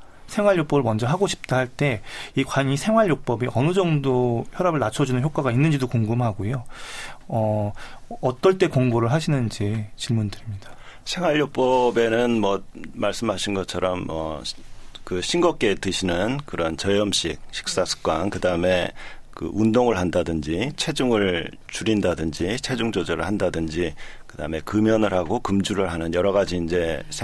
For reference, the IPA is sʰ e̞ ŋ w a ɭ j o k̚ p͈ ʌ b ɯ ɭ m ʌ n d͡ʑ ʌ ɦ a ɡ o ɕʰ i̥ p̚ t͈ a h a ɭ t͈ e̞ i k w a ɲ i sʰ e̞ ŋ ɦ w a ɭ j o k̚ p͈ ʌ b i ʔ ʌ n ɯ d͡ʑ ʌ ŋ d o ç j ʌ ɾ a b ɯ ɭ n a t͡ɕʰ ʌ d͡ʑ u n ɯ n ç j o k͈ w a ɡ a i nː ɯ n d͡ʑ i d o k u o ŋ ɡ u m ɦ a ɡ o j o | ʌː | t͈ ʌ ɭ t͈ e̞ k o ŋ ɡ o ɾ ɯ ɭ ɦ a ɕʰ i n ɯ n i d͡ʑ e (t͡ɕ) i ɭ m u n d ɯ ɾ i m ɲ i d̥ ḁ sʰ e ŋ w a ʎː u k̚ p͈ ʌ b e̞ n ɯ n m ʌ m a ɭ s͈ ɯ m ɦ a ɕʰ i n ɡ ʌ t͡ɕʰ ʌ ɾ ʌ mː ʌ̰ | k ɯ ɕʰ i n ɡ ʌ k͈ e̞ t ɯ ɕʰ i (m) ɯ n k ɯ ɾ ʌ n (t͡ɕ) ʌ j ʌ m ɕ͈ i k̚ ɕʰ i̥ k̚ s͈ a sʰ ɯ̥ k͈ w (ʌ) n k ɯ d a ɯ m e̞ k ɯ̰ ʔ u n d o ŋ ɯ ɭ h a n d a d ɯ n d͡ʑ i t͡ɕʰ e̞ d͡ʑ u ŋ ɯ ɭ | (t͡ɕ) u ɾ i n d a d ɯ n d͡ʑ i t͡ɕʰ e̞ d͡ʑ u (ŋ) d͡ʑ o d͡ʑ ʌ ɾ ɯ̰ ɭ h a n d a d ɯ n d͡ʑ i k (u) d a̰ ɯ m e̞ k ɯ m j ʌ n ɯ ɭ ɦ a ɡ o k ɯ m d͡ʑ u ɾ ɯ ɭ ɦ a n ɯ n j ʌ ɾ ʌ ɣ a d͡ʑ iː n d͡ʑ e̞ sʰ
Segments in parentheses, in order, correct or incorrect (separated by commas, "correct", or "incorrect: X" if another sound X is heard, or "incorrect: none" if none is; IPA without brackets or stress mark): correct, incorrect: n, correct, incorrect: a, correct, correct, incorrect: ɯ